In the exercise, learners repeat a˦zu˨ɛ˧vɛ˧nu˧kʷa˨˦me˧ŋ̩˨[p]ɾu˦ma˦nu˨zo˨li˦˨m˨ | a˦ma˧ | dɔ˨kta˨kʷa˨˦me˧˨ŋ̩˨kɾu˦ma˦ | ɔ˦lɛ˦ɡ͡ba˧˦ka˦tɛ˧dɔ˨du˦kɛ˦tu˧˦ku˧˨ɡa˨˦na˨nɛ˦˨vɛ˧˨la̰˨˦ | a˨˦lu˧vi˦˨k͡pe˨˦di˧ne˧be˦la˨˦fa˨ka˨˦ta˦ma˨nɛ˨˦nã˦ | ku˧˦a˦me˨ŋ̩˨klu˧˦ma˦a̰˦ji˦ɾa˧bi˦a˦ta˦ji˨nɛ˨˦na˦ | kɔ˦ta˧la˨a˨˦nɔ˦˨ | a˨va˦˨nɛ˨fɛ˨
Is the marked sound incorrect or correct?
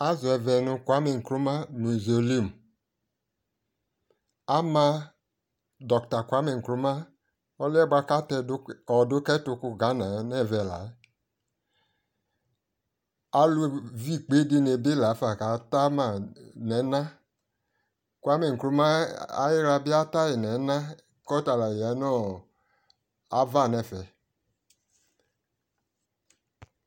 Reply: incorrect